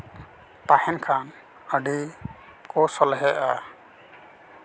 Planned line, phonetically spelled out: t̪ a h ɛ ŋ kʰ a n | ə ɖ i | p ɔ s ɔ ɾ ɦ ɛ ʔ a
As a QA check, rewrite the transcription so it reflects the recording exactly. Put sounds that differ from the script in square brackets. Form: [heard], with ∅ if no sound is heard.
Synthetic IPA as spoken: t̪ a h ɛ [n] kʰ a n | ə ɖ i | [k] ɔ s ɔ [l] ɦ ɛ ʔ a